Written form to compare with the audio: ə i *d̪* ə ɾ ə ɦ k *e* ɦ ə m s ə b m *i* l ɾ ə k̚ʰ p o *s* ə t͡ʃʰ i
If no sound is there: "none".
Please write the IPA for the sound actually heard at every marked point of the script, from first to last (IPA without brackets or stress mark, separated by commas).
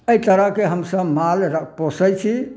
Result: t̪, e, a, s